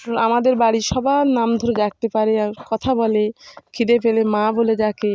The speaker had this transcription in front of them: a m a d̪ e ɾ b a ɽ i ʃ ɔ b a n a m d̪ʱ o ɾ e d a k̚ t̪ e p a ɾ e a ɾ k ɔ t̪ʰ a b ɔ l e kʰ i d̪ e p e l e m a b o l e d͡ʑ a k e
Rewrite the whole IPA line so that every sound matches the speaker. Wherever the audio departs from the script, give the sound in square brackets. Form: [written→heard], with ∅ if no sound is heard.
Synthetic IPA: a m a d̪ e ɾ b a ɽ i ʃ ɔ b a n a m d̪ʱ o ɾ e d a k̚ t̪ e p a ɾ e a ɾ k ɔ t̪ʰ a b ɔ l e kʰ i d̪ e p e l e m a b o l e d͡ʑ a k e